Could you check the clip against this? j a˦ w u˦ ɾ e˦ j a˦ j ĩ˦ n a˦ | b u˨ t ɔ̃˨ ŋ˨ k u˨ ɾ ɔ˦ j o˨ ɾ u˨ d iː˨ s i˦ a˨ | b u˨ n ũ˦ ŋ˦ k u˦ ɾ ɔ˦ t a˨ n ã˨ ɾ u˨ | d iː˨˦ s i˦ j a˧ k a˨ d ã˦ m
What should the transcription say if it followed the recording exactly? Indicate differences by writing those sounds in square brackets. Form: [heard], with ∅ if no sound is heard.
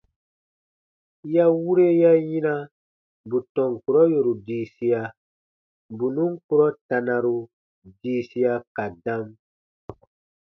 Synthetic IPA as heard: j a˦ w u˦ ɾ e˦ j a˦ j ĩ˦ n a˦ | b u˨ t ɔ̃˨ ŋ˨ k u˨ ɾ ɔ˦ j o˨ ɾ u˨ d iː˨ s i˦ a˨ | b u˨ n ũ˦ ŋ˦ k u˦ ɾ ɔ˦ t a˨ n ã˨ ɾ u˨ | d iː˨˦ s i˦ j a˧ k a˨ d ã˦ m